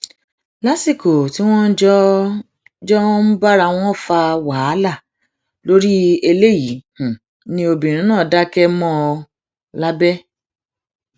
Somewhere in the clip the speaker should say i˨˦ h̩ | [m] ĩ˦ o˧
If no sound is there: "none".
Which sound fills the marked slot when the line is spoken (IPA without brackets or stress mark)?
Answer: n